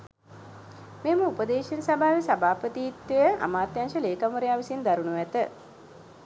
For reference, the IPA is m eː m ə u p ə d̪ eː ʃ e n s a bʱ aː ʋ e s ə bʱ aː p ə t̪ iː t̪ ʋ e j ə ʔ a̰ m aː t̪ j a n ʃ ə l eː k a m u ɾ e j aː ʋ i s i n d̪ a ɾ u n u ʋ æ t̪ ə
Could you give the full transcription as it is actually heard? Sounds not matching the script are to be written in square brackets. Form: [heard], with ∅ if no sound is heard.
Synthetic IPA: m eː m ə u p ə d̪ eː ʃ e n s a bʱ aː ʋ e s [a] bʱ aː p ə t̪ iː t̪ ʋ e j ə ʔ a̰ m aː t̪ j a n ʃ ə l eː k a m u ɾ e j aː ʋ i s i n d̪ a ɾ u n u ʋ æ t̪ ə